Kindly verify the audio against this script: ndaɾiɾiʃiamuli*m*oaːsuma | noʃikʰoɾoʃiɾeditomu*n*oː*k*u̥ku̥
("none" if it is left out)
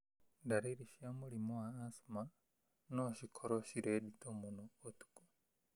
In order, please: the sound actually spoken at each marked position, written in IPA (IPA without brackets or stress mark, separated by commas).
m, n, t